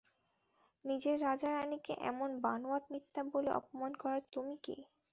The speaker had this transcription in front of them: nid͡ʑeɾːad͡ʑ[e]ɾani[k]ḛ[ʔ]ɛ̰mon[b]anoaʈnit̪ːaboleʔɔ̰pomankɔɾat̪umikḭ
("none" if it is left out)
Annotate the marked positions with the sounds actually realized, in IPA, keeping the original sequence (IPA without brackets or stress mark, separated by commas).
a, k, ʔ, b